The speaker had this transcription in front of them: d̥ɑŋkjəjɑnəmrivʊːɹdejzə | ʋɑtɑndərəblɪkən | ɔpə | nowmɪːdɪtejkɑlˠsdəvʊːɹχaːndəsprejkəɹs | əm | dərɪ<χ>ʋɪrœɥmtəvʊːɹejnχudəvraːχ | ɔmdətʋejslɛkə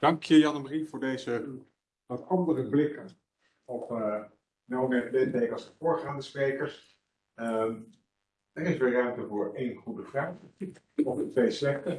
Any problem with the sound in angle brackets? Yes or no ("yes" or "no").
yes